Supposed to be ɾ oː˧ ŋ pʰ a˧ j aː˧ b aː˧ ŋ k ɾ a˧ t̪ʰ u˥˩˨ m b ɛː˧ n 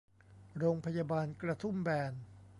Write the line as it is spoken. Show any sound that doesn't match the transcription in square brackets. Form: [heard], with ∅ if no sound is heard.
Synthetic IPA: ɾ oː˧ ŋ pʰ a˧ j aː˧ b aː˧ [n] k ɾ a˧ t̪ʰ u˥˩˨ m b ɛː˧ n